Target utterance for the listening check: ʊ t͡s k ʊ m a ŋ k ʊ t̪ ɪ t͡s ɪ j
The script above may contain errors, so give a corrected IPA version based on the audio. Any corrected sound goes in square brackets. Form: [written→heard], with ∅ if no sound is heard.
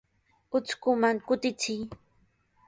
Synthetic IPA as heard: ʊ t͡s k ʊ m a ŋ k ʊ t̪ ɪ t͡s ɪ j